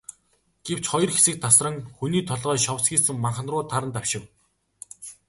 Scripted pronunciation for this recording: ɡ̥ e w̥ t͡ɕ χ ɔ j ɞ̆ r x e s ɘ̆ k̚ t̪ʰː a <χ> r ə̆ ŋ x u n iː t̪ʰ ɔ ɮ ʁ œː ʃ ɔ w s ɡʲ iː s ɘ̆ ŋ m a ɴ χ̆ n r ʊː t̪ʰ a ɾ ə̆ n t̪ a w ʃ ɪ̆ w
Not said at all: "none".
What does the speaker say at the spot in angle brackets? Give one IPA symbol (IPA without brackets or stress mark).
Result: s